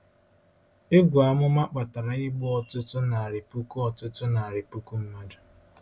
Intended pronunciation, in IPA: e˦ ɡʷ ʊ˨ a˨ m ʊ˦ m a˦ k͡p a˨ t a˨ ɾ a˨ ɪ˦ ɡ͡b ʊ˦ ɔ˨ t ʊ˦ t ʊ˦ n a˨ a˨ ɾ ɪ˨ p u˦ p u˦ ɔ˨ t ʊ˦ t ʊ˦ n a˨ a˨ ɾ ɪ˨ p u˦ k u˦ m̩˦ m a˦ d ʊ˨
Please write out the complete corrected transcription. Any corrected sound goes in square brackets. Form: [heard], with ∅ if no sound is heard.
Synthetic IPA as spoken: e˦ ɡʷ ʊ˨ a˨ m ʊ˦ m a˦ k͡p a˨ t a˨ ɾ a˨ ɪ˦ ɡ͡b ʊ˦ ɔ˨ t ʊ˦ t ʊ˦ n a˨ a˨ ɾ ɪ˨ p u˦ [k] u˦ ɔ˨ t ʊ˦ t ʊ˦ n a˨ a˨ ɾ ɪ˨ p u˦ k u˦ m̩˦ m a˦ d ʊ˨